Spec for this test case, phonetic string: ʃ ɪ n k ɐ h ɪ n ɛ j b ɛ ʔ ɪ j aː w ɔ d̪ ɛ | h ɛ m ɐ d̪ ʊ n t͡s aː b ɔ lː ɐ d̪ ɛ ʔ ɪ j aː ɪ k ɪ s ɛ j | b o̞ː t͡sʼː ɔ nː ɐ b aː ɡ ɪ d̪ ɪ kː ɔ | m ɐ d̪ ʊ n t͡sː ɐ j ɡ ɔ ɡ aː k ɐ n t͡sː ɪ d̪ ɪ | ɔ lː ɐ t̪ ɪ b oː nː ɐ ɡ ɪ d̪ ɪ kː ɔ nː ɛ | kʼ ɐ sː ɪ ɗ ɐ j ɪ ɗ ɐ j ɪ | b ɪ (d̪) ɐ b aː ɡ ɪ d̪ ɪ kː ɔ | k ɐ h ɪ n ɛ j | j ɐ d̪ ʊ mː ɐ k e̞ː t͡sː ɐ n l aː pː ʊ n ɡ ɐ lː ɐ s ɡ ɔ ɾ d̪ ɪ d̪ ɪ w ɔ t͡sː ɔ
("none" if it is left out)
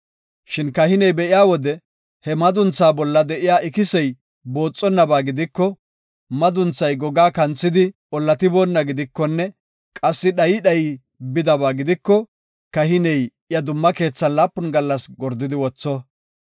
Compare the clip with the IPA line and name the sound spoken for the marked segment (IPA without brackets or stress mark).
d̪